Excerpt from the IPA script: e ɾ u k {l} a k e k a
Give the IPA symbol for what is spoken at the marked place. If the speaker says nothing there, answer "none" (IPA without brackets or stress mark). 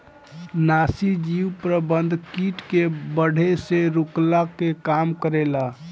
l